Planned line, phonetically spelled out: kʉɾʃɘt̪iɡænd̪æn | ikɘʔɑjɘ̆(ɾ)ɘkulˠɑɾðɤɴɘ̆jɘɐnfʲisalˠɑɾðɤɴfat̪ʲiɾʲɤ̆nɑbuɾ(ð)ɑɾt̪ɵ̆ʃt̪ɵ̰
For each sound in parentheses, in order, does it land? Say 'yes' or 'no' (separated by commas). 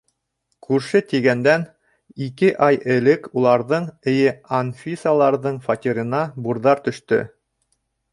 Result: no, yes